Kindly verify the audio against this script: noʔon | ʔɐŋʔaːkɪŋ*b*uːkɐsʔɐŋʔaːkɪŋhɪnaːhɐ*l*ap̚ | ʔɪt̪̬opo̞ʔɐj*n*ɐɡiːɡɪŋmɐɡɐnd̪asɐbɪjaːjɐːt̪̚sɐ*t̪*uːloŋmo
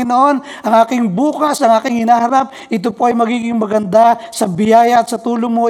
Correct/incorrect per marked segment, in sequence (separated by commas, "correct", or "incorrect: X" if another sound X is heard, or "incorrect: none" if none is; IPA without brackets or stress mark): correct, incorrect: ɾ, incorrect: m, correct